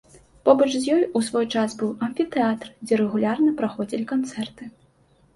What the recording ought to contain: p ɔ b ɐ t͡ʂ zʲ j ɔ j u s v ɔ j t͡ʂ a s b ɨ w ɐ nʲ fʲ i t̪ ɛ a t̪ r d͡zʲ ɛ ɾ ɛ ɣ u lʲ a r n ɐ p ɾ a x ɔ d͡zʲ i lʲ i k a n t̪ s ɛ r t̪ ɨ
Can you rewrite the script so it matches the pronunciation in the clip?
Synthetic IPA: p ɔ b ɐ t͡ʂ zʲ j ɔ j u s v ɔ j t͡ʂ a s b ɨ w ɐ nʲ fʲ i t̪ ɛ a t̪ r d͡zʲ ɛ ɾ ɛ ɣ u lʲ a r n ɐ p ɾ a x ɔ d͡zʲ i lʲ i k a n t̪ s ɛ r t̪ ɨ